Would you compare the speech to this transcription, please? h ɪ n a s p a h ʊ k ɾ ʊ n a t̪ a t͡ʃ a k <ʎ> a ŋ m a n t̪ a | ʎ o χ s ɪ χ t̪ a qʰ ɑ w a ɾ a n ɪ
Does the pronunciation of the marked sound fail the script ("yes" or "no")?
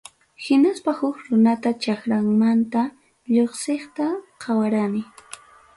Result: yes